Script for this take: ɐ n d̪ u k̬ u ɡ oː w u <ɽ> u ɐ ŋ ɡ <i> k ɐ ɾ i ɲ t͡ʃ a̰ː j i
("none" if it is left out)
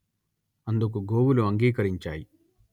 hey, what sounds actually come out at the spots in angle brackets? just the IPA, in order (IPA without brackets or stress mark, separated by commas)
l, iː